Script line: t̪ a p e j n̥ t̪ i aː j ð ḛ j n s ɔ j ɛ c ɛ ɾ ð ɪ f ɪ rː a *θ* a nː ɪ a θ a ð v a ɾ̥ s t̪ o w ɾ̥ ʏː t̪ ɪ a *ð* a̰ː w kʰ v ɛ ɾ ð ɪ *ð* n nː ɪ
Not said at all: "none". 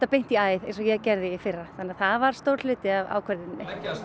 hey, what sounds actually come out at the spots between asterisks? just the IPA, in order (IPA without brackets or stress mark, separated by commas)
θ, v, none